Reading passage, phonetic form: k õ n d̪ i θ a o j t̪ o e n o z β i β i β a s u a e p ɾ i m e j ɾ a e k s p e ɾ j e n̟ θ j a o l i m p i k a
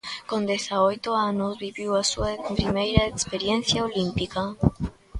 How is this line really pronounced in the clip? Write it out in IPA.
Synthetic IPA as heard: k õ n d̪ e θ a o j t̪ o a n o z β i β i w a s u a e p ɾ i m e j ɾ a e k s p e ɾ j e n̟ θ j a o l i m p i k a